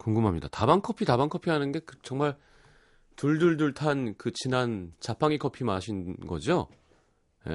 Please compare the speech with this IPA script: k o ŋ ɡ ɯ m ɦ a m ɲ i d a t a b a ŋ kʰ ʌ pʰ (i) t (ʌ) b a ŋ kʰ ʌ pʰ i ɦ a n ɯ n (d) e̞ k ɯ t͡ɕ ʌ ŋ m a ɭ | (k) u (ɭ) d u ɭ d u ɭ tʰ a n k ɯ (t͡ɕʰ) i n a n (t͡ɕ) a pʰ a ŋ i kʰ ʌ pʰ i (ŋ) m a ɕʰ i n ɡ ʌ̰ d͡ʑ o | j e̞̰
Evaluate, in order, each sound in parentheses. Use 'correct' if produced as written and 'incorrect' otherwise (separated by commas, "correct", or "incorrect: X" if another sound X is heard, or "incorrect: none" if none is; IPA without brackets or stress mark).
correct, incorrect: a, incorrect: ɡ, incorrect: t, correct, incorrect: t͡ɕ, correct, incorrect: none